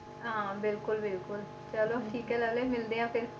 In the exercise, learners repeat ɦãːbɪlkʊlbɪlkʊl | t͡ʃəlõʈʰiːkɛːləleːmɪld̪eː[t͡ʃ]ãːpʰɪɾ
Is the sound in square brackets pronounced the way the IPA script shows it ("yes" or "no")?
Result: no